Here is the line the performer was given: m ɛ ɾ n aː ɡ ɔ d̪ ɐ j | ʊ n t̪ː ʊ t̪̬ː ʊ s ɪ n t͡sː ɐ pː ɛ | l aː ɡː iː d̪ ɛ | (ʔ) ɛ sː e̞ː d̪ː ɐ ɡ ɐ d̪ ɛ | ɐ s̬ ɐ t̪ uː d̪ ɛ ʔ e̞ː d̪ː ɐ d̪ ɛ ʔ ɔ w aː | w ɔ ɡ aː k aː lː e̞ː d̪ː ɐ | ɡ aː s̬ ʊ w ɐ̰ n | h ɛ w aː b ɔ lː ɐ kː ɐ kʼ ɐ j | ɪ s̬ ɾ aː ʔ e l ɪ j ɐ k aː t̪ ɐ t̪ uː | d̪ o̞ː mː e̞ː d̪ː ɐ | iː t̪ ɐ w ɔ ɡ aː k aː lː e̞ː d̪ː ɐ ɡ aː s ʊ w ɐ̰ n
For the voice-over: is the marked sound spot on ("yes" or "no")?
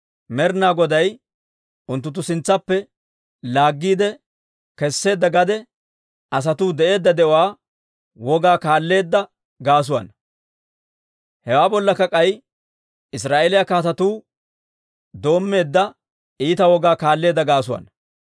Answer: no